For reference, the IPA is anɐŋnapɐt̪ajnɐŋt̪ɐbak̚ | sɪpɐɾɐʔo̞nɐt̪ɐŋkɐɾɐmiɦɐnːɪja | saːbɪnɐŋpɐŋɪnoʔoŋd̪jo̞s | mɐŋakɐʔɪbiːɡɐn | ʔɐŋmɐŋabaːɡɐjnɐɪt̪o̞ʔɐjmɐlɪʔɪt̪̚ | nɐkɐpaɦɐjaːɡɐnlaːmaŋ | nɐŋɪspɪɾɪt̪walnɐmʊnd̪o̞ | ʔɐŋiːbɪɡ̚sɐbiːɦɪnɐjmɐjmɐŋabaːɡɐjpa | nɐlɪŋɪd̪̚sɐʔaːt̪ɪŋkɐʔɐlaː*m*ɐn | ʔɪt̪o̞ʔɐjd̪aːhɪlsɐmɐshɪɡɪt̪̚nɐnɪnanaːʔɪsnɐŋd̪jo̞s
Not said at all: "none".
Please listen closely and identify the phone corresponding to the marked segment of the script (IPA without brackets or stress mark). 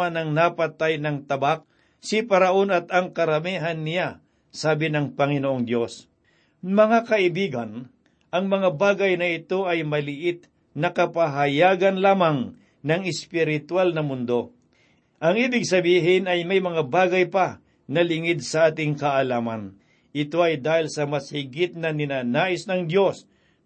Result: m